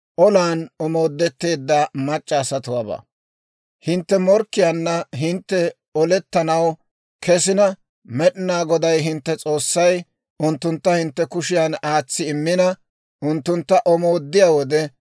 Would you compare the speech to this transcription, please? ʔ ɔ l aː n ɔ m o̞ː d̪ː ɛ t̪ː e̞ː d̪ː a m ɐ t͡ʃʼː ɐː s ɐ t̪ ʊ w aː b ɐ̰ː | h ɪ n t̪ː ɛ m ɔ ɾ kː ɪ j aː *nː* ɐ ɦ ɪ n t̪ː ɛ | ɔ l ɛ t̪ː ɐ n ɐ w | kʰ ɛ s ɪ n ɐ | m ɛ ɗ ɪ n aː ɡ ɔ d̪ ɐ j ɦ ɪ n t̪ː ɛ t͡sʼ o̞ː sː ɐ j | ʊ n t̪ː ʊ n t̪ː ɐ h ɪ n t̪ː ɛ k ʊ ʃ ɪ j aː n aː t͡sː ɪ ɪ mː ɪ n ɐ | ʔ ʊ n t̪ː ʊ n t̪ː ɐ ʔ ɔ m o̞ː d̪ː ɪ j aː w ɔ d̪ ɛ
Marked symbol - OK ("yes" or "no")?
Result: yes